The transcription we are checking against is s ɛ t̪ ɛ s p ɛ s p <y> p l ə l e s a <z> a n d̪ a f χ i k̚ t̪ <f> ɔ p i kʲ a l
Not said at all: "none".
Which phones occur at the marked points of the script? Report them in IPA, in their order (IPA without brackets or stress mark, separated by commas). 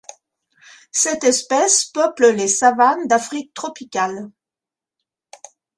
œ, v, χ